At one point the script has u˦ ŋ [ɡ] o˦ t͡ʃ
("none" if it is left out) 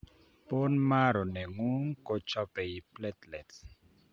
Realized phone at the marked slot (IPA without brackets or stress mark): k